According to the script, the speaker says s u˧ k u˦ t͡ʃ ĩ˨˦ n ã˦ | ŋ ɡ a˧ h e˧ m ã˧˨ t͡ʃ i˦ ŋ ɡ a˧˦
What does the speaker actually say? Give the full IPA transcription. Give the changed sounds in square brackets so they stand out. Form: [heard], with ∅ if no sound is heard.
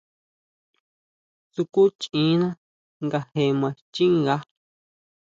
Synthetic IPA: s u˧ k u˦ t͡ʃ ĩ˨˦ n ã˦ | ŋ ɡ a˧ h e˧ m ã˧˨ t͡ʃ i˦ ŋ ɡ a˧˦